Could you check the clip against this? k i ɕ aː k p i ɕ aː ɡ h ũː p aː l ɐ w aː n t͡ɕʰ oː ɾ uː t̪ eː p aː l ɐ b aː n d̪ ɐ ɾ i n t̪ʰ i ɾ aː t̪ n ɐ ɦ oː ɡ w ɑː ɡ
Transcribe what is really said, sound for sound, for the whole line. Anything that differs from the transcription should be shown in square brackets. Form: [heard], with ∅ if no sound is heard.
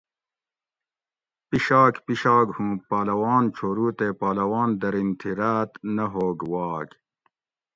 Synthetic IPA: [p] i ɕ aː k p i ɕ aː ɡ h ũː p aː l ɐ w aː n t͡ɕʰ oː ɾ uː t̪ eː p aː l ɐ [w] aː n d̪ ɐ ɾ i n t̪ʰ i ɾ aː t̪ n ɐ ɦ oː ɡ w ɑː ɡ